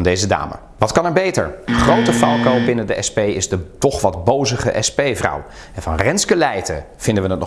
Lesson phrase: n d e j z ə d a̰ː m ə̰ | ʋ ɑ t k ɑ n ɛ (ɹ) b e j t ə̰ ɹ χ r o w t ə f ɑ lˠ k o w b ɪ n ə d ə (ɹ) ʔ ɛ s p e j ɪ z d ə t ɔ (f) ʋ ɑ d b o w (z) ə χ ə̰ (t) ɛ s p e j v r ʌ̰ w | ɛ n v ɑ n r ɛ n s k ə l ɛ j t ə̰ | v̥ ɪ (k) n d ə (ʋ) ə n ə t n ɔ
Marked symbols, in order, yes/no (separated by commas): yes, no, no, yes, no, no, yes